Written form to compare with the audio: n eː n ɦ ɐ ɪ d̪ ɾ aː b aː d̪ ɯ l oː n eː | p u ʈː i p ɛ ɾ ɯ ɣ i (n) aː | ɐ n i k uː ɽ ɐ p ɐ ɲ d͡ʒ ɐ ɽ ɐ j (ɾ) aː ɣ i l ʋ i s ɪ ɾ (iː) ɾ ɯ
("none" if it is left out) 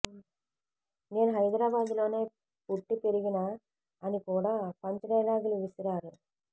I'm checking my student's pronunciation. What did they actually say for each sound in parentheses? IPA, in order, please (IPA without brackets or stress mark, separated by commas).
n, l, aː